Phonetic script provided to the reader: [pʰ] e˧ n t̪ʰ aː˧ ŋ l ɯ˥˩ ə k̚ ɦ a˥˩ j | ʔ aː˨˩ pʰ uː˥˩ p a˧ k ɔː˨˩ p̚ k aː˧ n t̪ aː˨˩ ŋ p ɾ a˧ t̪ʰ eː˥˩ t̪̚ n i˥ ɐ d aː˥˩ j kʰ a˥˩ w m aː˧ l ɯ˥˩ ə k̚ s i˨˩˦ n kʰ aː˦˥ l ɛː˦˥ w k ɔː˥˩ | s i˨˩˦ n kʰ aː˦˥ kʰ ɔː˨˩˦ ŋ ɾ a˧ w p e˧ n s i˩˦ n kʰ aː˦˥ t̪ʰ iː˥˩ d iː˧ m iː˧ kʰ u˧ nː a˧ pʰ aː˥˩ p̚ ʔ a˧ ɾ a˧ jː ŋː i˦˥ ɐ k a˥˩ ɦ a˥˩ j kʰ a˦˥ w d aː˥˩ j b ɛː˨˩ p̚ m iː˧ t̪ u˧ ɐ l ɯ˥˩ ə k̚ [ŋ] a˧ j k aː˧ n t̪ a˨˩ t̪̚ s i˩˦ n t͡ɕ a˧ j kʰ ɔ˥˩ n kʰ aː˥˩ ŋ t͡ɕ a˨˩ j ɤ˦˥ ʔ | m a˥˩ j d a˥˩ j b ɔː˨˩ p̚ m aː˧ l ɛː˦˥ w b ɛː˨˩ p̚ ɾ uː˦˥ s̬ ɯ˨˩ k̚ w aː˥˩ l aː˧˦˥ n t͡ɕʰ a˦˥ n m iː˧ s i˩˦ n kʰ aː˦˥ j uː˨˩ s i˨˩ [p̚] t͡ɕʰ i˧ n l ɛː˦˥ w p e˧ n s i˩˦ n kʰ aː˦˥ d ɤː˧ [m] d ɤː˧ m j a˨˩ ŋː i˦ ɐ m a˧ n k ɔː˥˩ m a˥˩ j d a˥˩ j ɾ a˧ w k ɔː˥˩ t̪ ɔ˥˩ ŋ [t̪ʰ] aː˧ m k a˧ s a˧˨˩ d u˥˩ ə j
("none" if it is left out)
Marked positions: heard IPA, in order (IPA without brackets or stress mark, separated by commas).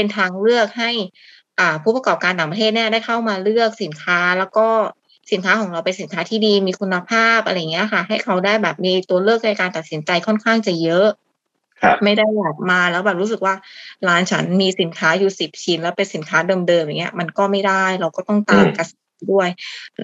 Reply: p, n, p̚, m, t̪